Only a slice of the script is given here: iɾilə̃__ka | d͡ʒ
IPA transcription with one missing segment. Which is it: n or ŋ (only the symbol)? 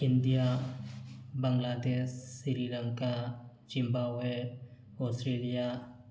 ŋ